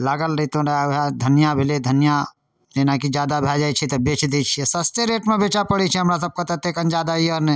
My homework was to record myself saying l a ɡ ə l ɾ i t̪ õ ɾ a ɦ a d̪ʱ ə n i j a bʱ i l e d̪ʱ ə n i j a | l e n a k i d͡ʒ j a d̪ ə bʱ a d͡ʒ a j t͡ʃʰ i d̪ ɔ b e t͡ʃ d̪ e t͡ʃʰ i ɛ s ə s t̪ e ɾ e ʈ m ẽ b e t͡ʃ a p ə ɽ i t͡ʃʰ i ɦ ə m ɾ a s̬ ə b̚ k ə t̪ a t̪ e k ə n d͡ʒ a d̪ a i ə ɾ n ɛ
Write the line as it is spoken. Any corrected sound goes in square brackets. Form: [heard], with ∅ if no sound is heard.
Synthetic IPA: l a ɡ ə l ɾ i t̪ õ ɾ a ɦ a d̪ʱ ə n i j a bʱ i l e d̪ʱ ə n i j a | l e n a k i d͡ʒ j a d̪ [a] bʱ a d͡ʒ a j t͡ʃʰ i [t̪] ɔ b e t͡ʃ d̪ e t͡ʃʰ i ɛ s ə s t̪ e ɾ e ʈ m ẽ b e t͡ʃ a p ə ɽ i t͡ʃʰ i ɦ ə m ɾ a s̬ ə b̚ k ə t̪ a t̪ e k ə n d͡ʒ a d̪ a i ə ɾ n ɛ